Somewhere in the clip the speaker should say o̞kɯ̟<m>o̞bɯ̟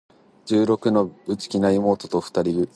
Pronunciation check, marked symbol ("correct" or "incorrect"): incorrect